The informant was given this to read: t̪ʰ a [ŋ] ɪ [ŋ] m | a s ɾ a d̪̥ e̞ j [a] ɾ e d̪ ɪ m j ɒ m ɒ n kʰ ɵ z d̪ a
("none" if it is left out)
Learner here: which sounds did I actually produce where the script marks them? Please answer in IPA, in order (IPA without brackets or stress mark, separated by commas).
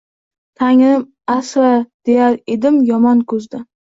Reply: ŋ, none, a